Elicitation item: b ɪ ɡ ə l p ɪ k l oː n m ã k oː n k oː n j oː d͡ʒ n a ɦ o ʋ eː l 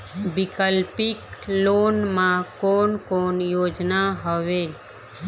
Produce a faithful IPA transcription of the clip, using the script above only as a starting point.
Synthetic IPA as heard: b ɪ k ə l p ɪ k l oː n m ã k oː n k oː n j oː d͡ʒ n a ɦ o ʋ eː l

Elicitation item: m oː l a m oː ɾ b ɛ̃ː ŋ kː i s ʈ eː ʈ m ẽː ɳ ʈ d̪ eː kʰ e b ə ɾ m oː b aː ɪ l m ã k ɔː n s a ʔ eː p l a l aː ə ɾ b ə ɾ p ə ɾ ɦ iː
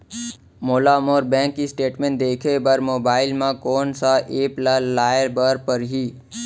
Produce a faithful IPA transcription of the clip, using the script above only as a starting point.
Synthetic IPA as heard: m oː l a m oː ɾ b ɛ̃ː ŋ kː i s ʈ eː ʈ m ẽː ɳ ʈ d̪ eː kʰ e b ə ɾ m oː b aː ɪ l m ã k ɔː n s a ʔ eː p l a l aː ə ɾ b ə ɾ p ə ɾ ɦ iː

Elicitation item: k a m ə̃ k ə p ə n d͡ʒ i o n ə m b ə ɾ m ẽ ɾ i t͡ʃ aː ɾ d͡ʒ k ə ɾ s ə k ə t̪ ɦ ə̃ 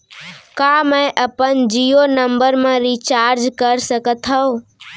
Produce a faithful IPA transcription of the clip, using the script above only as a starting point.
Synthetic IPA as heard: k a m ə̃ ʔ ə p ə n d͡ʒ i o n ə m b ə ɾ m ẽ ɾ i t͡ʃ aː ɾ d͡ʒ k ə ɾ s ə k ə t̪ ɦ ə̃

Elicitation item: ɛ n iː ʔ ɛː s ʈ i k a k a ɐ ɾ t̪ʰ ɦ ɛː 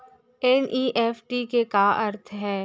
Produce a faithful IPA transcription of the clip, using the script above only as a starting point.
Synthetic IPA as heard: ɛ n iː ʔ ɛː f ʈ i k e k a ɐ ɾ t̪ʰ ɦ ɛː

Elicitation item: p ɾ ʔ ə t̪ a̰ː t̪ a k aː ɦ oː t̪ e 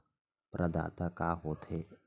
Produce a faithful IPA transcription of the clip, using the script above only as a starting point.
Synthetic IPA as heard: p ɾ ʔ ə d̪ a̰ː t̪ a k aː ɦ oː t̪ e

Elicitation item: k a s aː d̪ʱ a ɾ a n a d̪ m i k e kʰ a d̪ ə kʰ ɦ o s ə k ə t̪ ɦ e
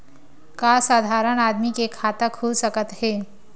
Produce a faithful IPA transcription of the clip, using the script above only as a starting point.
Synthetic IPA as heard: k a s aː d̪ʱ a ɾ ə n a d̪ m i k e kʰ a t̪ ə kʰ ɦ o s ə k ə t̪ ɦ e

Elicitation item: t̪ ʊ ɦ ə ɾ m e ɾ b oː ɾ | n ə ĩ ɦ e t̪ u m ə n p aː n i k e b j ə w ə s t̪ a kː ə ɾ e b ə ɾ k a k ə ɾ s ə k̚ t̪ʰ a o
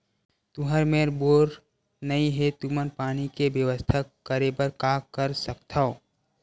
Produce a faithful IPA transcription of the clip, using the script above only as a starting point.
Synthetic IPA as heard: t̪ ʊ ɦ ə ɾ m e ɾ b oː ɾ | n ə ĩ ɦ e t̪ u m ə n p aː n i k e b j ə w ə s t̪ʰ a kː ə ɾ e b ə ɾ k a k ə ɾ s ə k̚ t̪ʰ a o

